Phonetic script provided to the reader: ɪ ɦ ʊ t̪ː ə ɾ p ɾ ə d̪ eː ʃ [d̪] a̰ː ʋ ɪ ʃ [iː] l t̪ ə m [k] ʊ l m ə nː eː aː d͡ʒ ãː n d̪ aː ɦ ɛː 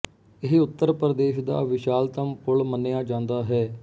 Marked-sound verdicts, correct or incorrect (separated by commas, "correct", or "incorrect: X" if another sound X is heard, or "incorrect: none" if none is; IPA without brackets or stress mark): correct, incorrect: aː, incorrect: p